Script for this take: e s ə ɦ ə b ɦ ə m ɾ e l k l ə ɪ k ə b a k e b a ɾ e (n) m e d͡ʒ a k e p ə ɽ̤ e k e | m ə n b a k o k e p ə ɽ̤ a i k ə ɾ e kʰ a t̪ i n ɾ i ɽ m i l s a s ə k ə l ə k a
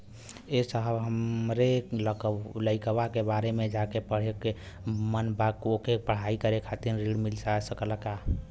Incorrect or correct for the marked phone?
incorrect: none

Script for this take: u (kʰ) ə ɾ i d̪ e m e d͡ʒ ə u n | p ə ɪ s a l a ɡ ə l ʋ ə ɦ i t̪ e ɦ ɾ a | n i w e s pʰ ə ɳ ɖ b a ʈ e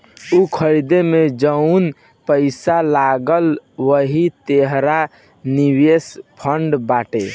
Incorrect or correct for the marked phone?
correct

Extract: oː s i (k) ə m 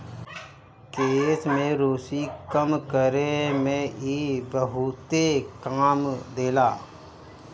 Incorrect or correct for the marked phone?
correct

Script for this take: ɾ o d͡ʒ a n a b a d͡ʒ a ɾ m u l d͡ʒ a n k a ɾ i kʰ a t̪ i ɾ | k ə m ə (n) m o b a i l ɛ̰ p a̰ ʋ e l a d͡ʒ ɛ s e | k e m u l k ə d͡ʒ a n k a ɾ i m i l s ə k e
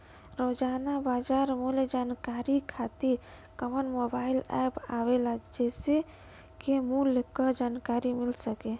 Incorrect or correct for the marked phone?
correct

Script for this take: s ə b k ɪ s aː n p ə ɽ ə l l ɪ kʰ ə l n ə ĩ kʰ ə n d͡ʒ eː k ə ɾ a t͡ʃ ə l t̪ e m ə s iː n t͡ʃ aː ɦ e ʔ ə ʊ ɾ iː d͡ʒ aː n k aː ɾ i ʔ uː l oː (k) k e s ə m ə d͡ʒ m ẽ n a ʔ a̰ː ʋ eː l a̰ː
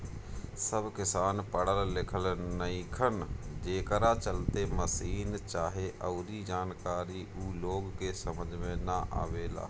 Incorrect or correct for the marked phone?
incorrect: ɡ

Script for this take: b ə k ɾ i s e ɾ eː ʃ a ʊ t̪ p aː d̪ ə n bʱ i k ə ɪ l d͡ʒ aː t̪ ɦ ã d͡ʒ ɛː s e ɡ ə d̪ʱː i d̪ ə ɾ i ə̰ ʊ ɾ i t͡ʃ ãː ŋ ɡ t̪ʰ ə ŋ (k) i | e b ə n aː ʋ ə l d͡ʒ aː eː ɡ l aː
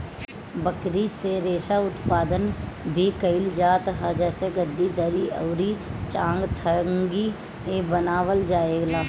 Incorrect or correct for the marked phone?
incorrect: ɡ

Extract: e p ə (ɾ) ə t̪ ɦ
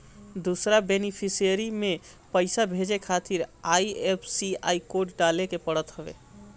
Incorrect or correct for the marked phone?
incorrect: ɽ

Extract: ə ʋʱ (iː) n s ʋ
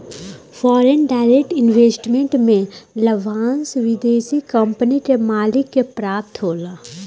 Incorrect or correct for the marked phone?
incorrect: aː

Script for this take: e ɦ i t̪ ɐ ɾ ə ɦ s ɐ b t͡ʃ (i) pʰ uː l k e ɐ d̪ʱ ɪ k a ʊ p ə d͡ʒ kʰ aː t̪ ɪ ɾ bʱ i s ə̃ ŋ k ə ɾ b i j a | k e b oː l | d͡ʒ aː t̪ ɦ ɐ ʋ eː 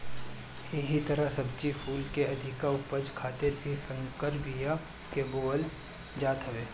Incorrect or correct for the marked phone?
correct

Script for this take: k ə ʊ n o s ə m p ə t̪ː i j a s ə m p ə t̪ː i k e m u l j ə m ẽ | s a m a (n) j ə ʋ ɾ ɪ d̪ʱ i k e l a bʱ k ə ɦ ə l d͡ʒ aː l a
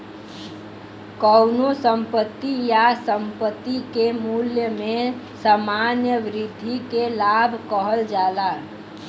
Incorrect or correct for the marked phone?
correct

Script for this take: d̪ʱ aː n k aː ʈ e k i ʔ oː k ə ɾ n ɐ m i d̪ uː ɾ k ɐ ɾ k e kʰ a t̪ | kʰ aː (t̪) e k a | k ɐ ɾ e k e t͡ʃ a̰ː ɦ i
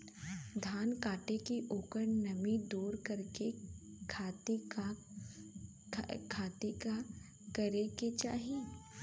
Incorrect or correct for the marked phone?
correct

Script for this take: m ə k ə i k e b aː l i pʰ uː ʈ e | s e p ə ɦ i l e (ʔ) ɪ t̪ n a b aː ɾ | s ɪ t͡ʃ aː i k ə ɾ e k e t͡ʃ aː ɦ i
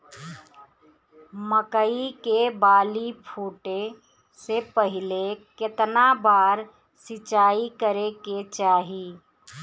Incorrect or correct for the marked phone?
incorrect: k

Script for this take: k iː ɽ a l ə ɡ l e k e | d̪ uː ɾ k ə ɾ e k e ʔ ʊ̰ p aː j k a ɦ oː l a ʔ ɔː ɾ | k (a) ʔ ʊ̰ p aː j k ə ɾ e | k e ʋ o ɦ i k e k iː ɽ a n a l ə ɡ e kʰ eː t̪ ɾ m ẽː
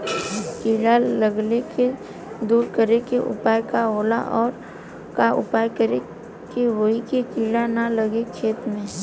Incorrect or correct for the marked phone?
correct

